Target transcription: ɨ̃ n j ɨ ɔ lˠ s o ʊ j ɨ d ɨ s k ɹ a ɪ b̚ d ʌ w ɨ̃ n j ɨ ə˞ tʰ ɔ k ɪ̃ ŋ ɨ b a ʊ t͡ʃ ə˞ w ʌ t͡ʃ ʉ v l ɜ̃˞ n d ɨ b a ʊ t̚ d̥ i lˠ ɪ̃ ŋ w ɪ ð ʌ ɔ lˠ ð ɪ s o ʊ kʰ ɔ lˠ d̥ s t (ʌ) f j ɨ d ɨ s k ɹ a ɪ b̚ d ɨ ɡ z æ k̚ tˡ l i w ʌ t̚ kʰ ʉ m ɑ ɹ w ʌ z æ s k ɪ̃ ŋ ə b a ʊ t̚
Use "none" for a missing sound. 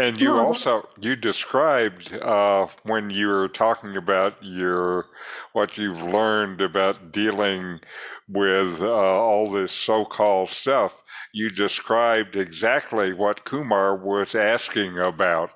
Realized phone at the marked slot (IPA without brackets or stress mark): ʌ